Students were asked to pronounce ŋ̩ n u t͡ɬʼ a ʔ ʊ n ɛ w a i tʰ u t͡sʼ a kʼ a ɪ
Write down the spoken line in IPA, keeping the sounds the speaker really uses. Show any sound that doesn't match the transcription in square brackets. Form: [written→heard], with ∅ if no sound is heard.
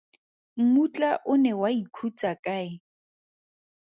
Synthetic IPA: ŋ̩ [n→m] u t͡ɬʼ a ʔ ʊ n ɛ w a i [tʰ→kʰ] u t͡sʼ a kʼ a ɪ